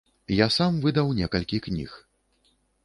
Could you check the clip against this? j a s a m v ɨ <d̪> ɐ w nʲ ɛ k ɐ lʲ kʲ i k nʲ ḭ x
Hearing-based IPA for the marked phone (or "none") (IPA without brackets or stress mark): d̪